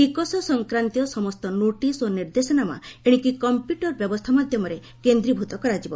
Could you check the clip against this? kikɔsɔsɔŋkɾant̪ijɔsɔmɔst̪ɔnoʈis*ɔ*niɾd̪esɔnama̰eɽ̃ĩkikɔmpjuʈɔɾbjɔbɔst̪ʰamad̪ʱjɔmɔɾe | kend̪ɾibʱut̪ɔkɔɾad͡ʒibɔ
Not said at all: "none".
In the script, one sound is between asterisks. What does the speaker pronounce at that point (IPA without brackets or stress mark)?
o